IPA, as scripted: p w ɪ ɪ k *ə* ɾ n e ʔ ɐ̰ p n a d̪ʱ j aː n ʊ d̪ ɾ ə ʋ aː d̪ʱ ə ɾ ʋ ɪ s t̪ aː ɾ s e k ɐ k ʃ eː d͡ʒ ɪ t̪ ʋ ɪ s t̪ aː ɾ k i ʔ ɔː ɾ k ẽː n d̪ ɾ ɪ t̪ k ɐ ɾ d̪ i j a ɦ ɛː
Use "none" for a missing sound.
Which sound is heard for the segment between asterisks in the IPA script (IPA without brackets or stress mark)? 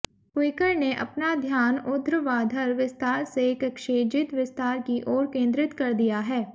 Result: ə